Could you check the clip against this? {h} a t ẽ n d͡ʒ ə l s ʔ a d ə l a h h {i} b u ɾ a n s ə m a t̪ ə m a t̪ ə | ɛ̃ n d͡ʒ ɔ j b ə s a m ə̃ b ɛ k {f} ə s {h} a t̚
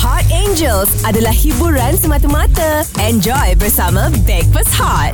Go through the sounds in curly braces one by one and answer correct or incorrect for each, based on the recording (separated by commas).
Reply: correct, correct, correct, correct